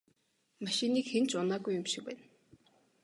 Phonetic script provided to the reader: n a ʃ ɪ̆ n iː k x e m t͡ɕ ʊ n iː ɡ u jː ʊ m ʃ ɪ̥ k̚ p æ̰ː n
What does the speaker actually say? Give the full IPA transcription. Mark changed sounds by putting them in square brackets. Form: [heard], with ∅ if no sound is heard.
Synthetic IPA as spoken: [m] a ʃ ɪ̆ n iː k x e [n] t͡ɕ ʊ n [aː] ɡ u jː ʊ m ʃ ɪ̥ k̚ p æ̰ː n